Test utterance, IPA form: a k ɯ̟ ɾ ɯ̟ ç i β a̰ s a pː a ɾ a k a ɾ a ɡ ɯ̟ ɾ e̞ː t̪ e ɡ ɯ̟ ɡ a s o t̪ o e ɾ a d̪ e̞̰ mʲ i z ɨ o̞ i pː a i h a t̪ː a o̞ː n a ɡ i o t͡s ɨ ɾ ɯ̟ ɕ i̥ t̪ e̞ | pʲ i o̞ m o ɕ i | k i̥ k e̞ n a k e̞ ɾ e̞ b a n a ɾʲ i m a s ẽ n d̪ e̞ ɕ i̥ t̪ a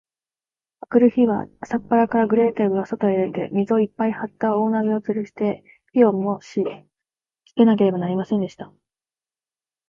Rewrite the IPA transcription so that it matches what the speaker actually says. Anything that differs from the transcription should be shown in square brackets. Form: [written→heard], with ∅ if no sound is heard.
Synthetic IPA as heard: a k ɯ̟ ɾ ɯ̟ ç i β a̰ s a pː a ɾ a k a ɾ a ɡ ɯ̟ ɾ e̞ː t̪ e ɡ ɯ̟ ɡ a s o t̪ o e ɾ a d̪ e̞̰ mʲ i z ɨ o̞ i pː a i h a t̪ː a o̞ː n a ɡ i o t͡s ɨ ɾ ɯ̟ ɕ i̥ t̪ e̞ | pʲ i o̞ m o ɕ i | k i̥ k e̞ n a k e̞ ɾ e̞ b a n a ɾʲ i m a s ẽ n d̪ e̞ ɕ i̥ t̪ a